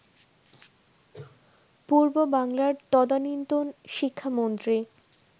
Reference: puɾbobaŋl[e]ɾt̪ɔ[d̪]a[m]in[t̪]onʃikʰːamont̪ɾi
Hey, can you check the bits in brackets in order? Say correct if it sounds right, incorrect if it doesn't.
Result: incorrect: a, correct, incorrect: n, correct

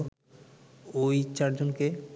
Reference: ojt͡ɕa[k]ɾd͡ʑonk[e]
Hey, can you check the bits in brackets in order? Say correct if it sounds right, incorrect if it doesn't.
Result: incorrect: none, correct

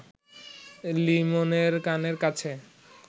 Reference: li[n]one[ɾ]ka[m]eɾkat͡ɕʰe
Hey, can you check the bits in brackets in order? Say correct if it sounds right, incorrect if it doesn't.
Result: incorrect: m, correct, incorrect: n

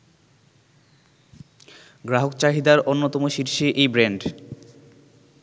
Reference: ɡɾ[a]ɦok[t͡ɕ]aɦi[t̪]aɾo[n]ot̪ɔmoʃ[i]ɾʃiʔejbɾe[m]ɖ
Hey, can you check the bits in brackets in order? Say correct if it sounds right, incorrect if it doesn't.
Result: correct, correct, incorrect: d̪, incorrect: nː, correct, incorrect: ɳ

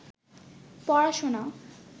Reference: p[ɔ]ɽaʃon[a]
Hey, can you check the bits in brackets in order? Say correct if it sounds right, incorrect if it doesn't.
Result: correct, correct

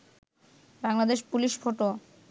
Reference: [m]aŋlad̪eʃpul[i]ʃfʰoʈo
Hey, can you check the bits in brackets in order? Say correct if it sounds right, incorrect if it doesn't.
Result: incorrect: b, correct

